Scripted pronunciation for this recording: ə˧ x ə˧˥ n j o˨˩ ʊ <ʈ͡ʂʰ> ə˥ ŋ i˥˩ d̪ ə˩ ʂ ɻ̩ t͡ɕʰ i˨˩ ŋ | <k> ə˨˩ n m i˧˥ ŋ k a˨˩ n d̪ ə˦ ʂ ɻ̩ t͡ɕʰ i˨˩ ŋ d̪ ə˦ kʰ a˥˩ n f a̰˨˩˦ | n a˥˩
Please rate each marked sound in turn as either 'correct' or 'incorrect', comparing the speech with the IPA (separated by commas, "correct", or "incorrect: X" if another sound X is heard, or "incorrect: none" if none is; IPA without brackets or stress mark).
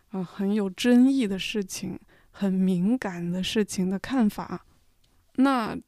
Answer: incorrect: ʈ͡ʂ, incorrect: x